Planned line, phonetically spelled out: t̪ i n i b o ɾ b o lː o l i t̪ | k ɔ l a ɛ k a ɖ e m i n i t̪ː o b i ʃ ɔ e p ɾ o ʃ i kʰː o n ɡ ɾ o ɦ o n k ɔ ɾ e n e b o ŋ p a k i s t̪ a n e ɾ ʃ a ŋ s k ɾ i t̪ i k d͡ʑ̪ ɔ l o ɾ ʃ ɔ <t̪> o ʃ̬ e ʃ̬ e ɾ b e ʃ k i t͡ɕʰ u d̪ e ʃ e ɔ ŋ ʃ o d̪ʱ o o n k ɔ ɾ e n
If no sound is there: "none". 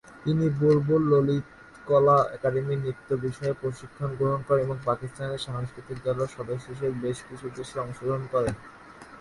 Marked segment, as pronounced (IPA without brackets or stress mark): d̪